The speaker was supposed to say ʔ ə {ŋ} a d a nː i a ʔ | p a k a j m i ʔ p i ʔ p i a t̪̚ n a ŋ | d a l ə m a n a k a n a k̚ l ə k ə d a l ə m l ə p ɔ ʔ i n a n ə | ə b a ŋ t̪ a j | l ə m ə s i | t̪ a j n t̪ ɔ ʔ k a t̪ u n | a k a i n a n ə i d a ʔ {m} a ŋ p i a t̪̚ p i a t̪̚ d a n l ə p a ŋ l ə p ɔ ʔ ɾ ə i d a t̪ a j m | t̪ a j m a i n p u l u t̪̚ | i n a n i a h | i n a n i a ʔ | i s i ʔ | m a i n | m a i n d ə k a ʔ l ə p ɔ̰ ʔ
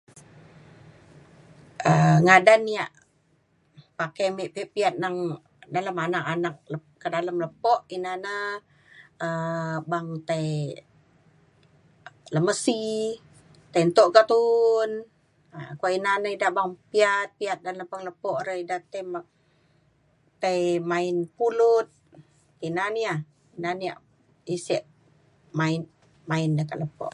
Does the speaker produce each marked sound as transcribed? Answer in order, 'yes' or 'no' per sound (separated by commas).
yes, no